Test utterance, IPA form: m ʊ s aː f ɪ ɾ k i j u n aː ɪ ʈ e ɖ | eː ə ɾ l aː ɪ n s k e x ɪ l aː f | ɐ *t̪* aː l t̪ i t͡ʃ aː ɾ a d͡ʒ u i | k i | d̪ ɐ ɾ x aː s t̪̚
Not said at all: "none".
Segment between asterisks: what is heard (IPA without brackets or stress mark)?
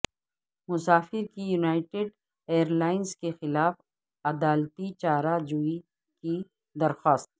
d̪